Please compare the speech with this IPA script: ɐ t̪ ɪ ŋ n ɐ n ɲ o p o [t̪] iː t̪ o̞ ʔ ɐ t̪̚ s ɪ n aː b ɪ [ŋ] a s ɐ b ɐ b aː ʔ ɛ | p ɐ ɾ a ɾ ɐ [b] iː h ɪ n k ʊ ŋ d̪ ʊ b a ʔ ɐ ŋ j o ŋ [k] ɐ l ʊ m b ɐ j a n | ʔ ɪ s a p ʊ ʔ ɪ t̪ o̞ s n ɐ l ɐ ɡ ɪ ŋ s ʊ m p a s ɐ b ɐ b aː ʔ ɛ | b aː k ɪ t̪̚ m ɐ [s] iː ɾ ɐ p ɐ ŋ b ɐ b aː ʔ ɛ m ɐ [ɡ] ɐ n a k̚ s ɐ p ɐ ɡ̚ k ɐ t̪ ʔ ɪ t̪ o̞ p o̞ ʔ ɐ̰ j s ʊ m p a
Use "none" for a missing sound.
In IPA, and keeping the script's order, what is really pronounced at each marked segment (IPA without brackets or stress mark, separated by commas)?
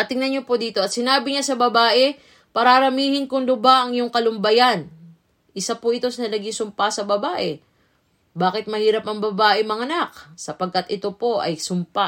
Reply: d̪, ɲ, m, k, h, ŋ